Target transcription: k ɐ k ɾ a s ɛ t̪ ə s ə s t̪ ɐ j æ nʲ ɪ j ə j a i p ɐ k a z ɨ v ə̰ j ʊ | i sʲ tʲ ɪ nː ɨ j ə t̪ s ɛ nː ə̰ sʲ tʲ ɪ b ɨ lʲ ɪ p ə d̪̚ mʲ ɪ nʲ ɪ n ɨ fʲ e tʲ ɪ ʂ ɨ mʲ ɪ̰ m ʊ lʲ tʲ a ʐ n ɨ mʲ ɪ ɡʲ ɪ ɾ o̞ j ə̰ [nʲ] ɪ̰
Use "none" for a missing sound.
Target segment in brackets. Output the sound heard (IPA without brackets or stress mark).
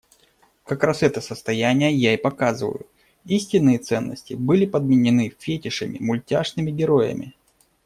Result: mʲ